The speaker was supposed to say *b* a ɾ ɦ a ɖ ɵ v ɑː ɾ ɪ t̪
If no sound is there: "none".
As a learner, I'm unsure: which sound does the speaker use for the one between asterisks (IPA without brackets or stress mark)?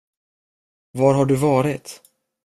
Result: v